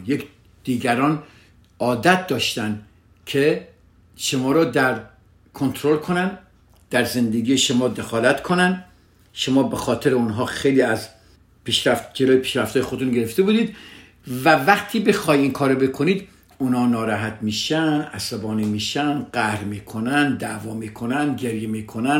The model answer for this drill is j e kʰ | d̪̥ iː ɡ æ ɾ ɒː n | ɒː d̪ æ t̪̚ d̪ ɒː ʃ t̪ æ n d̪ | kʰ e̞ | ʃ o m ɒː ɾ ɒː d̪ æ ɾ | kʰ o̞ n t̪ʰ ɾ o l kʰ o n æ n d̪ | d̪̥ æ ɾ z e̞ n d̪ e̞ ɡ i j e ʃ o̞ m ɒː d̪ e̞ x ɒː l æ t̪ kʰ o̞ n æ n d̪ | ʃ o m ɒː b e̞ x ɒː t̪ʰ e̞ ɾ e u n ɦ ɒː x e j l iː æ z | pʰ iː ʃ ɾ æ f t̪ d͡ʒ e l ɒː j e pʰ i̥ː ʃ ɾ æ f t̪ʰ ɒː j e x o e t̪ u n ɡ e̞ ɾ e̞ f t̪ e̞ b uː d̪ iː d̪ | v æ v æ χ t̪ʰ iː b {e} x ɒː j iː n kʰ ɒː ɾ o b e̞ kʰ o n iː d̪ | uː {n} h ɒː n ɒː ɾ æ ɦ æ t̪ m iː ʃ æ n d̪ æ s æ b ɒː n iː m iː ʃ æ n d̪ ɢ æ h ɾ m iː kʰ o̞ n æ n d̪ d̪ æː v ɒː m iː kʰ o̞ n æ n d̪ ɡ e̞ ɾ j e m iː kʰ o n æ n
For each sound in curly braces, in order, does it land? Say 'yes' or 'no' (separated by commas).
yes, yes